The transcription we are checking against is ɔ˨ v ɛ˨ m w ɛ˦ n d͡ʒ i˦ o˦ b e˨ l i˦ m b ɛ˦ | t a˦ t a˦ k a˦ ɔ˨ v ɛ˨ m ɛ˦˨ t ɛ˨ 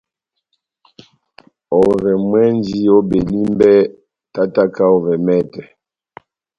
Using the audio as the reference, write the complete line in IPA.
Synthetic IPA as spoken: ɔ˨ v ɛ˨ m w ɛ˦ n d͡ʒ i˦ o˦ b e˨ l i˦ m b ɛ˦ | t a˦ t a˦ k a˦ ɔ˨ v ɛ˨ m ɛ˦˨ t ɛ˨